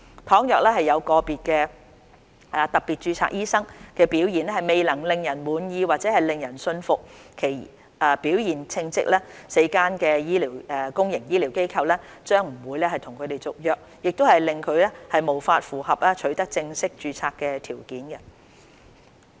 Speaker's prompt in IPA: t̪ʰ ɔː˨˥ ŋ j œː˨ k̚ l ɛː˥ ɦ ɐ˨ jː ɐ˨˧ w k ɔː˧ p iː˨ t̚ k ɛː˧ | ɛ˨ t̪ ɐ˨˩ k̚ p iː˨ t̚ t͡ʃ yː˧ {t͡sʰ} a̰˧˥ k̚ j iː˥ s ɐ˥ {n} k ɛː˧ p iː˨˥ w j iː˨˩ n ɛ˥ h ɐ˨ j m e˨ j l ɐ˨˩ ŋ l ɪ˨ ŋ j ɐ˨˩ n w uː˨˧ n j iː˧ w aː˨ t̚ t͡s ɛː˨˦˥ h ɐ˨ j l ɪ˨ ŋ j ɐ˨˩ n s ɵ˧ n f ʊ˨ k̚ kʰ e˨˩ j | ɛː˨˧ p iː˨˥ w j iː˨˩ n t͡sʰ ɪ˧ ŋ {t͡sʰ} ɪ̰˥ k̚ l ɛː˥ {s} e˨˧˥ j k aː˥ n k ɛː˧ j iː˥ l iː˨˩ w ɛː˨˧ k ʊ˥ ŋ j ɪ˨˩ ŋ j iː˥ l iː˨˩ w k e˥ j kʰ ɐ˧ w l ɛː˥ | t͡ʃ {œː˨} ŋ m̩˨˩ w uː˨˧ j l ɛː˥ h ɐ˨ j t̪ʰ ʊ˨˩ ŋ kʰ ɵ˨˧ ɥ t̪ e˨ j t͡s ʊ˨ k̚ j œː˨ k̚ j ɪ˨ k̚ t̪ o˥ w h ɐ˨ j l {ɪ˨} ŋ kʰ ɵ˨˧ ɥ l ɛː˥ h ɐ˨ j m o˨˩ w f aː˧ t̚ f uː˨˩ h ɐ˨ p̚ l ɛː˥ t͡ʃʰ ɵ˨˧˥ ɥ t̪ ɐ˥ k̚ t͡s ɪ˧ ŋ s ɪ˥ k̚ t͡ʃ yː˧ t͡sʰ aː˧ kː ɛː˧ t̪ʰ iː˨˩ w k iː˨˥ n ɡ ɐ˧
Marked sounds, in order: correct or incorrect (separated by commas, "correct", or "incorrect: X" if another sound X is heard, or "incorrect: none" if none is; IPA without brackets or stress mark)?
correct, incorrect: ŋ, incorrect: t͡s, correct, incorrect: œː˥, correct